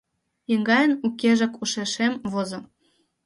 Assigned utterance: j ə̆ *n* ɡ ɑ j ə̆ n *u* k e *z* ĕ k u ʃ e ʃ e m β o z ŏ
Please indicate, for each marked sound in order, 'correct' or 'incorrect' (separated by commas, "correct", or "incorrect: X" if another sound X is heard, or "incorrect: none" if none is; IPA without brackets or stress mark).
incorrect: ŋ, correct, incorrect: ʒ